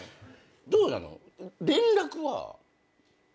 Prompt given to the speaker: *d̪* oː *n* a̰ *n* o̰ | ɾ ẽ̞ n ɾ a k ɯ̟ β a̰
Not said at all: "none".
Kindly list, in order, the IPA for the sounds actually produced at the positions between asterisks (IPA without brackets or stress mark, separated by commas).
d̪, n, n